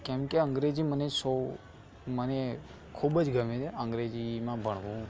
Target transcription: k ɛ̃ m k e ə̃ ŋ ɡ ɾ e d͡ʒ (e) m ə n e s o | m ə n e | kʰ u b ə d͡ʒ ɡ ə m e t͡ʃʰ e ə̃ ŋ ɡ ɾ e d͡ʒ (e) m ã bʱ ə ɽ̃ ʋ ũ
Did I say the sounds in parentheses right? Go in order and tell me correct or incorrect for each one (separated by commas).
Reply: incorrect, incorrect